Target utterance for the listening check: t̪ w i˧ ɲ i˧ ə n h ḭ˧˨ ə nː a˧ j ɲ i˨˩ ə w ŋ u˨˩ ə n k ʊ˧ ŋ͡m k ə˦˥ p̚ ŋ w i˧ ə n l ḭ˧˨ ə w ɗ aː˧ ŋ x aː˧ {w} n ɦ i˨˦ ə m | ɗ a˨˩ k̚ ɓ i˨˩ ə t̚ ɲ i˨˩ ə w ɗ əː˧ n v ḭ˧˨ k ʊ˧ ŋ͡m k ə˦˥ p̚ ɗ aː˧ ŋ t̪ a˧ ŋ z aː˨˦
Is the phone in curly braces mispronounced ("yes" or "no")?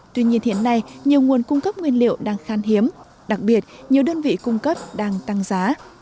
yes